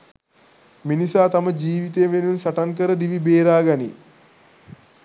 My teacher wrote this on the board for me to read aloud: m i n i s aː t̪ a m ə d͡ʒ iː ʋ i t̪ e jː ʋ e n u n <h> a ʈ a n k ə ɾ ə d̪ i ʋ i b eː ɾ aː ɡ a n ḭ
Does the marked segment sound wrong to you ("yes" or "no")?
yes